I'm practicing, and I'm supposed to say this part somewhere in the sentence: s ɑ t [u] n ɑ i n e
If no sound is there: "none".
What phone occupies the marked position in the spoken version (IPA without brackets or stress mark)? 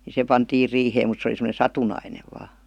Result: u